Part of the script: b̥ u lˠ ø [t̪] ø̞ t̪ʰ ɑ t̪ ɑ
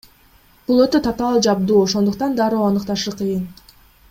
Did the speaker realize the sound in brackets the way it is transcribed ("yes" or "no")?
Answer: yes